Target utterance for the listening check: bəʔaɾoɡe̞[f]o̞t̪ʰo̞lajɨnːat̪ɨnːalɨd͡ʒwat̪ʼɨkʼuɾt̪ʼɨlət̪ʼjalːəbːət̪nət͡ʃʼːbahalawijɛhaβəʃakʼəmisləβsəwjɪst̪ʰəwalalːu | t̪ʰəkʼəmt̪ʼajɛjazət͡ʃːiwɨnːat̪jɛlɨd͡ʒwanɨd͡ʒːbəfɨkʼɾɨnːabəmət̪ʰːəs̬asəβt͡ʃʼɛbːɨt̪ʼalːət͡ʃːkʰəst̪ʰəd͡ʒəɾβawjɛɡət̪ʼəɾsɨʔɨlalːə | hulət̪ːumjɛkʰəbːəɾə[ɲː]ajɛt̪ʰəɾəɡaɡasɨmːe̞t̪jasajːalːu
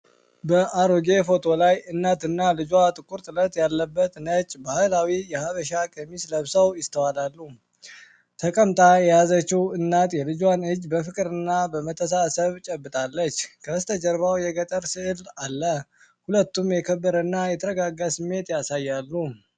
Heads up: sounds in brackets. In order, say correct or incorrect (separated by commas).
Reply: correct, incorrect